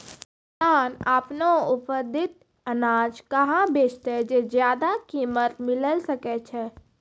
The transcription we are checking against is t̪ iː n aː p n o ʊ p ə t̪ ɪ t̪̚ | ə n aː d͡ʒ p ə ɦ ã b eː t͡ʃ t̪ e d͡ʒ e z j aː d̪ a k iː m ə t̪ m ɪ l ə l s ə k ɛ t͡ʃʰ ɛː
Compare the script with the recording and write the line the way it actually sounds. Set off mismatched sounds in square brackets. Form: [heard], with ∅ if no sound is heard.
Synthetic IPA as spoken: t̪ [aː] n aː p n o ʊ p ə [d̪] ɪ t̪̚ | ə n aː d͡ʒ [k] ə ɦ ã b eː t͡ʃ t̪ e d͡ʒ e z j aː d̪ a k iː m ə t̪ m ɪ l ə l s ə k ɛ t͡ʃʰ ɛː